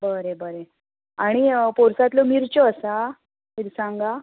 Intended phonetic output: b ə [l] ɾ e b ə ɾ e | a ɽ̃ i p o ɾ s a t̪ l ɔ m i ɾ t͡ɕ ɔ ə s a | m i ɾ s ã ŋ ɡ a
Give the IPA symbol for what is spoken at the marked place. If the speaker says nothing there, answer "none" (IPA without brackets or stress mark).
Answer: none